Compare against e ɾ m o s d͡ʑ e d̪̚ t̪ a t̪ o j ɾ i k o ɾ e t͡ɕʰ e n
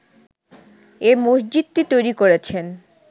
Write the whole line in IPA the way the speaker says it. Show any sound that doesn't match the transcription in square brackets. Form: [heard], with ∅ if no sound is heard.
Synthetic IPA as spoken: e ɾ m o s d͡ʑ [i] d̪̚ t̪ [i] t̪ o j ɾ i k o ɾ e t͡ɕʰ e n